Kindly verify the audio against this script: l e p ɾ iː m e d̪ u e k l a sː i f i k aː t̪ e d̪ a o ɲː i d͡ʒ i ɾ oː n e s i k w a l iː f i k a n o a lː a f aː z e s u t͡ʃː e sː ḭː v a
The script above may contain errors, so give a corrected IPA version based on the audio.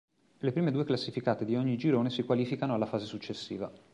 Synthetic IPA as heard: l e p ɾ iː m e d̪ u e k l a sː i f i k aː t̪ e d̪ i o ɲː i d͡ʒ i ɾ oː n e s i k w a l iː f i k a n o a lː a f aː z e s u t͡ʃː e sː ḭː v a